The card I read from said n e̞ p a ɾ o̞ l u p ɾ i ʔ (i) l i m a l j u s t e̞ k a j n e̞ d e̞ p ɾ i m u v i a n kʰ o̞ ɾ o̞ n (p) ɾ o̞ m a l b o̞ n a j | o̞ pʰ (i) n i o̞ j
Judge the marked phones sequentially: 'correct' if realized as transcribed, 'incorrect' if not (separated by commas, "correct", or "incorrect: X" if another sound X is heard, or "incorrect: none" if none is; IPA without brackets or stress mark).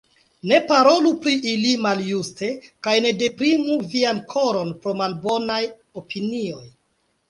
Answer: correct, correct, correct